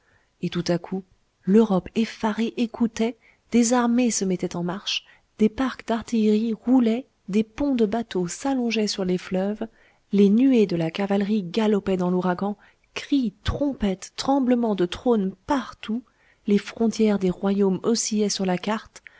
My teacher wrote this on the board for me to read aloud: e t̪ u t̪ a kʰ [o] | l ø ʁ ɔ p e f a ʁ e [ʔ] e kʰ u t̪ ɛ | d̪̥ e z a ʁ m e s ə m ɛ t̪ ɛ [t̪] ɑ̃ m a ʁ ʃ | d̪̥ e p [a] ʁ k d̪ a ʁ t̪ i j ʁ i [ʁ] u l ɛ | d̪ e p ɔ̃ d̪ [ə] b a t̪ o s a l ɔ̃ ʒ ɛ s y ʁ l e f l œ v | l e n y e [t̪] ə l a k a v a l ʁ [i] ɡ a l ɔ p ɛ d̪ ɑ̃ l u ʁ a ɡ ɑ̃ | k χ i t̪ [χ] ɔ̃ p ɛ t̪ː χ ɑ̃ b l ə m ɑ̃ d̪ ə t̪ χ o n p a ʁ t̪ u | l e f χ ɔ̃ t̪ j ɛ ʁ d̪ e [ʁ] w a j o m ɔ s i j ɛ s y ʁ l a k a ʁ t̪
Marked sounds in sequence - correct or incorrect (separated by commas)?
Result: incorrect, correct, correct, correct, correct, correct, incorrect, correct, correct, correct